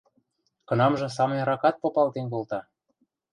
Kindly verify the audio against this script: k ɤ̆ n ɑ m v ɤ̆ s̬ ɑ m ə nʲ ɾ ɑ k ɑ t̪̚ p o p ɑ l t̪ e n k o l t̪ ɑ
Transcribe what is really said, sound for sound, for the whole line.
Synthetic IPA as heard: k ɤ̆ n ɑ m ʒ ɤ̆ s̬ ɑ m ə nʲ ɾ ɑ k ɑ t̪̚ p o p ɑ l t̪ e n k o l t̪ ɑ